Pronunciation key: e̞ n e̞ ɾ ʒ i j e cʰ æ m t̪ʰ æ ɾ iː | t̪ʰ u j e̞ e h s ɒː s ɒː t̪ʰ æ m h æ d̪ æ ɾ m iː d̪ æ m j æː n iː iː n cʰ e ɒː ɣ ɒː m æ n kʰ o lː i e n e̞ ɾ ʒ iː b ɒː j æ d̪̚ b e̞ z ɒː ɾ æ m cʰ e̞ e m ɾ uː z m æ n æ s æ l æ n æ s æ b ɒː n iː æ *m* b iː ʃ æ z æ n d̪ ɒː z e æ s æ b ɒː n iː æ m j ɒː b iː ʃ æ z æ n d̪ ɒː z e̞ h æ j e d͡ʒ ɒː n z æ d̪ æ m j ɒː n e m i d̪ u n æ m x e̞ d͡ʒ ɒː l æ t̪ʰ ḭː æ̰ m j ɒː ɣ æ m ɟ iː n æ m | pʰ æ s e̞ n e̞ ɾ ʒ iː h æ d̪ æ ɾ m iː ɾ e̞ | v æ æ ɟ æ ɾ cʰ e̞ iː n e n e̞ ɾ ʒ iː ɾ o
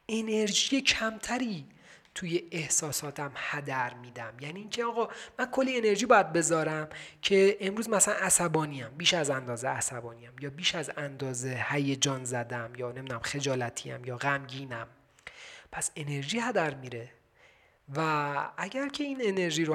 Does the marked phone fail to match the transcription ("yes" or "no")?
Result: no